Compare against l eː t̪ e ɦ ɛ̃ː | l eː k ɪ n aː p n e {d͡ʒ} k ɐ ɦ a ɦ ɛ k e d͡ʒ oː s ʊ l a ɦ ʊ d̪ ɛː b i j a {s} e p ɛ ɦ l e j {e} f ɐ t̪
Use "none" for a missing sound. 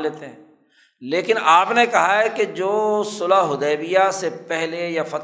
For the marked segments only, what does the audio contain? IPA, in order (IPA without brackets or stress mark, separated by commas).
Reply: none, s, a